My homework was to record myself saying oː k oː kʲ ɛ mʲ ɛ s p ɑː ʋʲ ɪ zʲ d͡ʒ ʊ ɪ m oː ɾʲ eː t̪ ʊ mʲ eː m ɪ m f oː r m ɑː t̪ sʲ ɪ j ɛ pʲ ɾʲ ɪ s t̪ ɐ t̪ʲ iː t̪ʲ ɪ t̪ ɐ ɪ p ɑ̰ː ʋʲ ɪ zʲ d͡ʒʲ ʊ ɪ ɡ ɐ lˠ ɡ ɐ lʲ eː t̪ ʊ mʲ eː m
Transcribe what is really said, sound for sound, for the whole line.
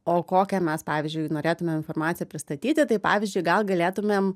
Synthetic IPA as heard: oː k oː kʲ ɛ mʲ ɛ s p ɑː ʋʲ ɪ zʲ d͡ʒ ʊ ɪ n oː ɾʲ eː t̪ ʊ mʲ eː m ɪ n f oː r m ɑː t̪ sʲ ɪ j ɛ pʲ ɾʲ ɪ s t̪ ɐ t̪ʲ iː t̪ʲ ɪ t̪ ɐ ɪ p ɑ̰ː ʋʲ ɪ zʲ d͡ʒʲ ʊ ɪ ɡ ɐ lˠ ɡ ɐ lʲ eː t̪ ʊ mʲ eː m